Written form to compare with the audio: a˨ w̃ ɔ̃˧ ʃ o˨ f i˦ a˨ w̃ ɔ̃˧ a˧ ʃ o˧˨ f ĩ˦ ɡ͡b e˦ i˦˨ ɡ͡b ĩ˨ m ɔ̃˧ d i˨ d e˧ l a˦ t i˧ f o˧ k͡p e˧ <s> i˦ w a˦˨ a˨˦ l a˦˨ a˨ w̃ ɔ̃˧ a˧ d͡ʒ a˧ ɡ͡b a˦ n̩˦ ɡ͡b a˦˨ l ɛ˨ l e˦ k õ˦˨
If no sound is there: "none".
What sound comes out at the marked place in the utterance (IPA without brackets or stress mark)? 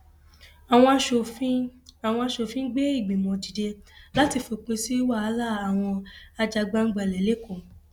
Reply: s